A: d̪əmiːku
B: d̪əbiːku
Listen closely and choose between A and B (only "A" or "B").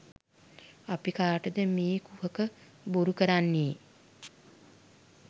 A